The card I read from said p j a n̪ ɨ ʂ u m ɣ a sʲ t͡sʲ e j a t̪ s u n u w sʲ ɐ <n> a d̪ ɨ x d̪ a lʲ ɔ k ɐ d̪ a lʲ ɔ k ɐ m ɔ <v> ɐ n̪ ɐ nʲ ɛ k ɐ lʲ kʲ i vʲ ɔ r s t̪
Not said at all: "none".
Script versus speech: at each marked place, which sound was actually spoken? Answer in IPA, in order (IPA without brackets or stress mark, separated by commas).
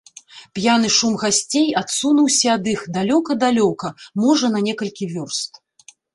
none, ʐ